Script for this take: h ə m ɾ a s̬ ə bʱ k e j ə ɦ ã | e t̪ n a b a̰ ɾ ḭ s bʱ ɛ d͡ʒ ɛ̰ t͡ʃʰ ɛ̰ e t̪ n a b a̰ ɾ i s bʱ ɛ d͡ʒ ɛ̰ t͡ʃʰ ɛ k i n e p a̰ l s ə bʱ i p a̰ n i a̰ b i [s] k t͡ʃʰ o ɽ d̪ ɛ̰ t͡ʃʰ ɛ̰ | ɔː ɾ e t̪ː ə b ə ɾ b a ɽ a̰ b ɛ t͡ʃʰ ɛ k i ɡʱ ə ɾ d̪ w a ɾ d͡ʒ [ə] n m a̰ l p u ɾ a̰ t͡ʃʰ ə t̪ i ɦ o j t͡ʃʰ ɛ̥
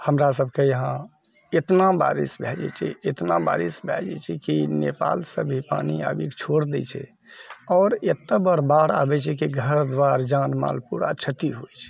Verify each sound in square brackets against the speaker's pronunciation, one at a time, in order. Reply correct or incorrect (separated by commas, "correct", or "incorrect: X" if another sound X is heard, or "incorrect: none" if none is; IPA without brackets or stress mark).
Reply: incorrect: none, incorrect: a